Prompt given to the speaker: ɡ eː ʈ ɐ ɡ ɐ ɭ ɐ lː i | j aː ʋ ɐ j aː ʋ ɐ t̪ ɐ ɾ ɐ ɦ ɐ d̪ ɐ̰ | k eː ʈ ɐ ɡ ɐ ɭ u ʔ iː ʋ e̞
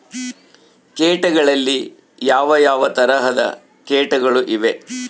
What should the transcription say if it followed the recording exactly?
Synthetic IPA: k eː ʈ ɐ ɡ ɐ ɭ ɐ lː i | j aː ʋ ɐ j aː ʋ ɐ t̪ ɐ ɾ ɐ ɦ ɐ d̪ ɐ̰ | k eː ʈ ɐ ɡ ɐ ɭ u ʔ i ʋ e̞

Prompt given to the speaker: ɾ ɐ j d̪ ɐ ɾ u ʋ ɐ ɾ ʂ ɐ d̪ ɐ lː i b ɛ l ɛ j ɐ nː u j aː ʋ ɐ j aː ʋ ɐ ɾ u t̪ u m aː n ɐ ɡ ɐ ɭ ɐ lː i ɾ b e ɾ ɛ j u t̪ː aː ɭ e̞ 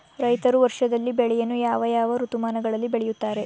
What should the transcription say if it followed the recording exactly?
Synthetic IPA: ɾ ɐ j t̪ ɐ ɾ u ʋ ɐ ɾ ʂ ɐ d̪ ɐ lː i b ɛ ɭ ɛ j ɐ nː u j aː ʋ ɐ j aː ʋ ɐ ɾ u t̪ u m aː n ɐ ɡ ɐ ɭ ɐ lː i b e ɭ ɛ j u t̪ː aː ɾ e̞

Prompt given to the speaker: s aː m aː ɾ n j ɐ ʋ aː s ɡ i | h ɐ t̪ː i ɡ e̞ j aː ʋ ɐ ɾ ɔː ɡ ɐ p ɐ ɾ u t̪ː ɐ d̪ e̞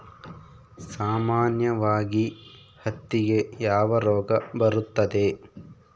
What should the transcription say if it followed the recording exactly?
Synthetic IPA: s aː m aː n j ɐ ʋ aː ɡ i | h ɐ t̪ː i ɡ e̞ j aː ʋ ɐ ɾ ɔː ɡ ɐ b ɐ ɾ u t̪ː ɐ d̪ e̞

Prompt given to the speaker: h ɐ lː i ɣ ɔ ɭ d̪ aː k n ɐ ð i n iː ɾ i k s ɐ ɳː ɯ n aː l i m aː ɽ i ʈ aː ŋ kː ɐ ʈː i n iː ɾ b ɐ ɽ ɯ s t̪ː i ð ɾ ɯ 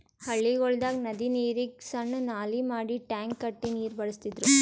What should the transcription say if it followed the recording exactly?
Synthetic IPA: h ɐ ɭː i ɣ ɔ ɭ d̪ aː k n ɐ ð i n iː ɾ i k s ɐ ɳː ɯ n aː l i m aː ɽ i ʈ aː ŋ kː ɐ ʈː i n iː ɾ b ɐ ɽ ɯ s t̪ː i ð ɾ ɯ

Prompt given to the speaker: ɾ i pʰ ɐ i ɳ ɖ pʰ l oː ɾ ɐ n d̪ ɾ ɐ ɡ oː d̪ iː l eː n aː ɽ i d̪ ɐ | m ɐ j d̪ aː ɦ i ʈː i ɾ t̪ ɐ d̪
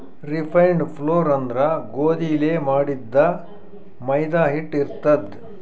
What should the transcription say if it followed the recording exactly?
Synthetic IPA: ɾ i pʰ ɐ j ɳ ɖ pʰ l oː ɾ ɐ n d̪ ɾ ɐ ɡ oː d̪ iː l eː m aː ɽ i d̪ː ɐ | m ɐ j d̪ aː ɦ i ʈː i ɾ t̪ ɐ d̪

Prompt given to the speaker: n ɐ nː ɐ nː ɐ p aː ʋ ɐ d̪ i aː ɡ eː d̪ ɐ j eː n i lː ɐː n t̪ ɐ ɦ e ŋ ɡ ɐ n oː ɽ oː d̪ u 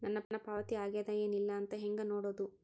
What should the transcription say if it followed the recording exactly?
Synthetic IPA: n ɐ nː ɐ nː ɐ p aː ʋ ɐ t̪ i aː ɡ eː d̪ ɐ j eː n i lː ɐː n t̪ ɐ ɦ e ŋ ɡ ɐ n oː ɽ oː d̪ u

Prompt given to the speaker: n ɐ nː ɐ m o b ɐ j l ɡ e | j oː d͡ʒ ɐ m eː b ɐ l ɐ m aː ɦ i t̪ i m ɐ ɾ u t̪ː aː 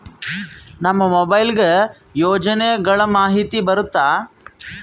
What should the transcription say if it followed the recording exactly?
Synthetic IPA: n ɐ mː ɐ m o b ɐ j l ɡ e | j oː d͡ʒ ɐ n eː ɡ ɐ ɭ ɐ m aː ɦ i t̪ i b ɐ ɾ u t̪ː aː

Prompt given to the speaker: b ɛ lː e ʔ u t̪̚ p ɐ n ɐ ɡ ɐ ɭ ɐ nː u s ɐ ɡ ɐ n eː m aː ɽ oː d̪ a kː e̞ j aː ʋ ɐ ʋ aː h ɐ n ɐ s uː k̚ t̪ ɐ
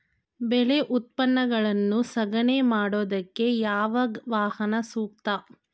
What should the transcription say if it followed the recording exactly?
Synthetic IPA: b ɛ l e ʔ u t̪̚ p ɐ nː ɐ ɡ ɐ ɭ ɐ nː u s ɐ ɡ ɐ n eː m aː ɽ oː d̪ ɐ kː e̞ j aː ʋ ɐ ʋ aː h ɐ n ɐ s uː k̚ t̪ ɐ

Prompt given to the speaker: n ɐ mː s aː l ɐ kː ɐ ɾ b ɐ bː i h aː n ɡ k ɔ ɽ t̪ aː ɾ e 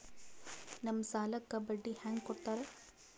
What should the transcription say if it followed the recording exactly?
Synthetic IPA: n ɐ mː s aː l ɐ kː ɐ b ɐ ɖː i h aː ŋ ɡ k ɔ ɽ t̪ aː ɾ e

